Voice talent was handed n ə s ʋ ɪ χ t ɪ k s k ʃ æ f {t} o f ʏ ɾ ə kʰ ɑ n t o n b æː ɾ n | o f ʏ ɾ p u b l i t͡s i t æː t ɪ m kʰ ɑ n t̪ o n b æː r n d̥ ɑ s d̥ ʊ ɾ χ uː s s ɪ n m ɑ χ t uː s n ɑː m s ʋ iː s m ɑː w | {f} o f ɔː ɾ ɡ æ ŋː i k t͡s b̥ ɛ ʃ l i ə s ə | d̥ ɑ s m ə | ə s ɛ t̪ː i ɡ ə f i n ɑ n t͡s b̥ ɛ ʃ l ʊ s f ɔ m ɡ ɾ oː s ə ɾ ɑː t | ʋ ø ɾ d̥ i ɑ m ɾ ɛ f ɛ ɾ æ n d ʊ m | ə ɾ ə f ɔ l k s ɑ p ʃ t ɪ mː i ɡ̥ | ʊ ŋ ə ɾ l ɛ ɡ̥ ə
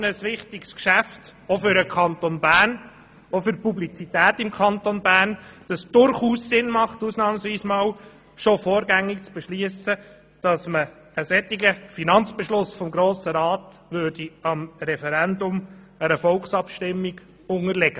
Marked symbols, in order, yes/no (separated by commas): yes, no